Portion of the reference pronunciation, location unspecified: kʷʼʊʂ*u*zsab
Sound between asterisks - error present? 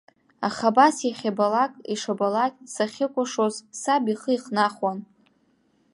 yes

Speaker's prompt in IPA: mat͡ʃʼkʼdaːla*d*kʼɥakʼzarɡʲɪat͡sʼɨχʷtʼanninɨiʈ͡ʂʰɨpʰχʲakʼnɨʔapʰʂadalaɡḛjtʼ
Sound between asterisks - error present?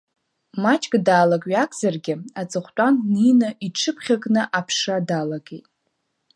yes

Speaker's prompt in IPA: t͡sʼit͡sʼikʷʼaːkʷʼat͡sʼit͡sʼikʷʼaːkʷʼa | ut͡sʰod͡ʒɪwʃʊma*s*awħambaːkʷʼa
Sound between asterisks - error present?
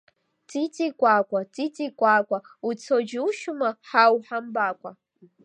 yes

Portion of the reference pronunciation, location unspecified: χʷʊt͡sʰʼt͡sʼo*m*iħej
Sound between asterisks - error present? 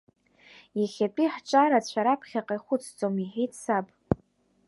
no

